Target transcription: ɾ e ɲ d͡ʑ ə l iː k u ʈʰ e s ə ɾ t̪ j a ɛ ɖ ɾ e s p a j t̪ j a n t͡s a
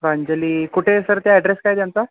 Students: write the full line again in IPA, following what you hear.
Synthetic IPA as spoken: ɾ a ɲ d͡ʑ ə l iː k u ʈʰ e s ə ɾ t̪ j a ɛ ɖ ɾ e s k a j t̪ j a n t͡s a